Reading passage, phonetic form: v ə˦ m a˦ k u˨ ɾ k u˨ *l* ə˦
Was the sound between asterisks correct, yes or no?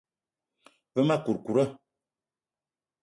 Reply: no